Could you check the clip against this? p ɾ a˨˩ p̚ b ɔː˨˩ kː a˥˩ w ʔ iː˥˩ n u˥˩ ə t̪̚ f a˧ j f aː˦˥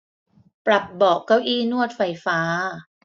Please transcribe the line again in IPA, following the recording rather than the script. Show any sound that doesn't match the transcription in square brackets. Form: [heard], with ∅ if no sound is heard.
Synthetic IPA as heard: p ɾ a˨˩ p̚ b ɔː˨˩ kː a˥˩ w ʔ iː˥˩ n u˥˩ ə t̪̚ f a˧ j f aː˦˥